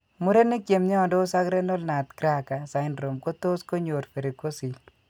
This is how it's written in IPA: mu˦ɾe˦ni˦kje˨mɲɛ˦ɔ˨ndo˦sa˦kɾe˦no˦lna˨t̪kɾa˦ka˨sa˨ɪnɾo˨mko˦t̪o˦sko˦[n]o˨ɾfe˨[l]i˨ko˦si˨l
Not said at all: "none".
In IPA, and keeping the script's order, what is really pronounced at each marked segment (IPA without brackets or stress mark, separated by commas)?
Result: ɲ, ɾ